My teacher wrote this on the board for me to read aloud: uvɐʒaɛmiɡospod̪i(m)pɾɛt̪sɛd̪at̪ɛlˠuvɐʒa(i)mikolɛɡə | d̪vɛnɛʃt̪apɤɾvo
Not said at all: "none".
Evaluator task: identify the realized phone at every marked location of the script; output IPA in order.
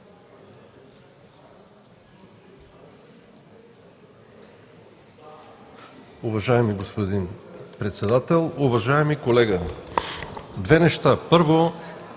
n, ɛ

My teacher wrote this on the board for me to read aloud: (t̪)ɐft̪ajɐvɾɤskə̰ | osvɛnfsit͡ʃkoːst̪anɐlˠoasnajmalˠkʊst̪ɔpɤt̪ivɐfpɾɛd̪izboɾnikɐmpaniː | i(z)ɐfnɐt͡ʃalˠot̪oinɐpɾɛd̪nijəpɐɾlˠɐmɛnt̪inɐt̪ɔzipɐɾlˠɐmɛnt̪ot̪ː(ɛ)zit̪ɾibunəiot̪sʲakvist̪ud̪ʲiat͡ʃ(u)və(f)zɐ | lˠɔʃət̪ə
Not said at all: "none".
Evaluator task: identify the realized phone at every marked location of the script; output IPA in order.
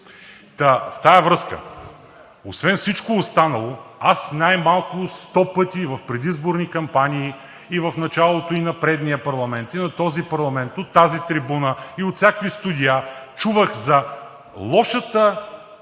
t̪, v, a, u, x

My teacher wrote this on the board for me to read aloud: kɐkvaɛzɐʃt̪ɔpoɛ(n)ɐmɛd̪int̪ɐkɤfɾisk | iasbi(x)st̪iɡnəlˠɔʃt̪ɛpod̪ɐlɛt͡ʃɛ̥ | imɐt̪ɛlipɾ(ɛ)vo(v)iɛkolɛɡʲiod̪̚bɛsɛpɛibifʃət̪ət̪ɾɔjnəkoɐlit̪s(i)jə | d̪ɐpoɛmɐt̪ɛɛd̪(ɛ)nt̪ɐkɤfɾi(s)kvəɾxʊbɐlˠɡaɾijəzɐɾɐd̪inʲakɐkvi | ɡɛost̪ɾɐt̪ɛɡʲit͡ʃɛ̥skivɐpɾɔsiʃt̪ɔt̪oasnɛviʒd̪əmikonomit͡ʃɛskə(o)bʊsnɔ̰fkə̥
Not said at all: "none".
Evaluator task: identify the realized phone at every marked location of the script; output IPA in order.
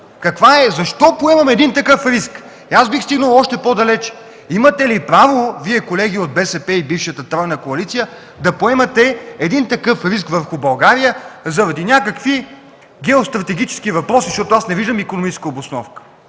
m, x, a, v, i, i, s, o

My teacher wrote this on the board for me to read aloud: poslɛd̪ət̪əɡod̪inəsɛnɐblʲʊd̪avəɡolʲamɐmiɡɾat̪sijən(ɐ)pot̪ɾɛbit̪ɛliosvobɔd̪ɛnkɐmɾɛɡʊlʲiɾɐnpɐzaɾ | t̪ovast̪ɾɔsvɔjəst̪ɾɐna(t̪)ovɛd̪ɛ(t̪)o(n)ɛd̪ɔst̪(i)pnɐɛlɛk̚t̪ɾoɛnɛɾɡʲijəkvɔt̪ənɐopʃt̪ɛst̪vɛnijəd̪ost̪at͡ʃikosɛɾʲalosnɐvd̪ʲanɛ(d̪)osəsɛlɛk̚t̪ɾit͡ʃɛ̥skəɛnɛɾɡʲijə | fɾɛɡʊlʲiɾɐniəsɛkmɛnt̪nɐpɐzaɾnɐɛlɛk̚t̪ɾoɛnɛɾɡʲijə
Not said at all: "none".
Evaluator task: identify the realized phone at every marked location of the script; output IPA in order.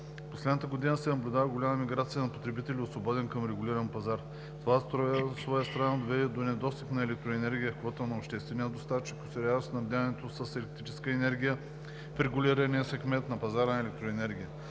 ɐ, d̪, d̪, n, i, t̪

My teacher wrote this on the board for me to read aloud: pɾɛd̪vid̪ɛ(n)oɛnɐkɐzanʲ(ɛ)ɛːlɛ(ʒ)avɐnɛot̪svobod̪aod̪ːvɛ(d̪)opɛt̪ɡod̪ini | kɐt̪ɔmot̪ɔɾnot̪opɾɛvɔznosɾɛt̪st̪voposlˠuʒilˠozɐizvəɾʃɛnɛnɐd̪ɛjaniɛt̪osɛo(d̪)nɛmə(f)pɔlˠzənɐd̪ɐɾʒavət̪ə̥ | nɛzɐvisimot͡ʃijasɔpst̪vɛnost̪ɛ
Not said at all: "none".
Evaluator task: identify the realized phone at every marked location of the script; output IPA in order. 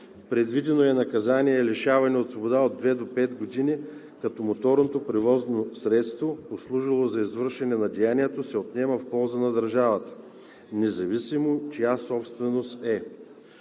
n, i, ʃ, d̪, t̪, f

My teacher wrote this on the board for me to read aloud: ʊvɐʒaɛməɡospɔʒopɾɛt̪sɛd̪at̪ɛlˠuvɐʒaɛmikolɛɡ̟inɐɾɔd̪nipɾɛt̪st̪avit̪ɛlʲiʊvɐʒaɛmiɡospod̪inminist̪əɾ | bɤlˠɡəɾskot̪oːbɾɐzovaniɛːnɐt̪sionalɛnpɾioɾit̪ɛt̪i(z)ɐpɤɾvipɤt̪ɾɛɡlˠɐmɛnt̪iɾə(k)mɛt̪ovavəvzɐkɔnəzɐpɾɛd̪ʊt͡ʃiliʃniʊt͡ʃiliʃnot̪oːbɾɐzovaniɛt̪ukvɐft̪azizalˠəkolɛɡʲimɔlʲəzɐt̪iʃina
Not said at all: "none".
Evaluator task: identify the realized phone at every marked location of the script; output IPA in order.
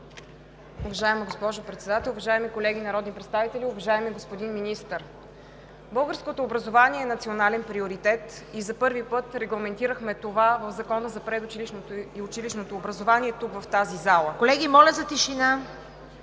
z, x

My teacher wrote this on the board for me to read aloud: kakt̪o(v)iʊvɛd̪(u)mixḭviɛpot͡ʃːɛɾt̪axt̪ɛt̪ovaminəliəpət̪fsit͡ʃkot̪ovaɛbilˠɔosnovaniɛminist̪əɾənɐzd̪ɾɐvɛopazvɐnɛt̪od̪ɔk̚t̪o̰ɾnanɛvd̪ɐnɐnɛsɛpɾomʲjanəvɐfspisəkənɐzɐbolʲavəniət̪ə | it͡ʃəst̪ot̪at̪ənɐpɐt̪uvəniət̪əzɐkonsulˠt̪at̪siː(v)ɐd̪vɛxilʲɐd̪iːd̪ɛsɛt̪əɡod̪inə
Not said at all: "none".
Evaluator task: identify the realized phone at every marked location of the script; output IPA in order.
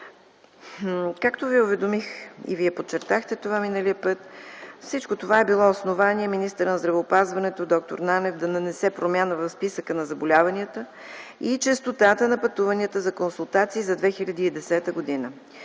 v, o, z

